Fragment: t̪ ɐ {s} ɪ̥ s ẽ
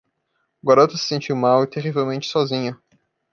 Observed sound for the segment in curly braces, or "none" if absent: s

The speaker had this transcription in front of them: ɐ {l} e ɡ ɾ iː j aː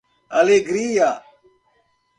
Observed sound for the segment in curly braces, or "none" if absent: l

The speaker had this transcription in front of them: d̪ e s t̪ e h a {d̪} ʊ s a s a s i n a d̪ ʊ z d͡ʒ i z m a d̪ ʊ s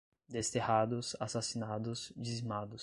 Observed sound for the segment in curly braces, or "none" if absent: d̪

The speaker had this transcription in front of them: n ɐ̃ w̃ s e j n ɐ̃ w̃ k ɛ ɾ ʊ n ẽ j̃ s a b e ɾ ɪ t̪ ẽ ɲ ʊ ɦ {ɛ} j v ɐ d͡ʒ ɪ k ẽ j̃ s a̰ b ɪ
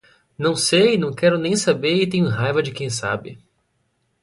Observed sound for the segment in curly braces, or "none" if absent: a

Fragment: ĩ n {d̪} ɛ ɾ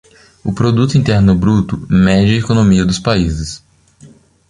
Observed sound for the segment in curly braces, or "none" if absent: t̪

